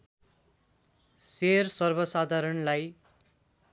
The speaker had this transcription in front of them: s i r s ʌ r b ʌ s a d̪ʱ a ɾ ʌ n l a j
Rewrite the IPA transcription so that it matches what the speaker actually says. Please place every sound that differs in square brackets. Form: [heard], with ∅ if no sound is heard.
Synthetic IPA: s [e] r s ʌ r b ʌ s a d̪ʱ a ɾ ʌ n l a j